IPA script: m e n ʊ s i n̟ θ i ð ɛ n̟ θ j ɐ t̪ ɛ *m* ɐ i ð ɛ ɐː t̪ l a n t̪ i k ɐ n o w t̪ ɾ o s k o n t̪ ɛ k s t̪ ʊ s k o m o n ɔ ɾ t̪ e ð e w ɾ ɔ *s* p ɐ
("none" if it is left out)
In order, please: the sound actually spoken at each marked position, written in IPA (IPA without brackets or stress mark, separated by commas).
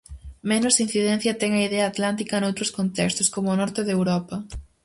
ŋ, none